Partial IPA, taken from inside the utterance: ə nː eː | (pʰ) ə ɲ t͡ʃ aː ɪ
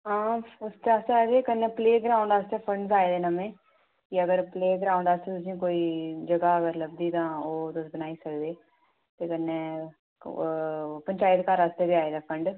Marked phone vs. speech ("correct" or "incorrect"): incorrect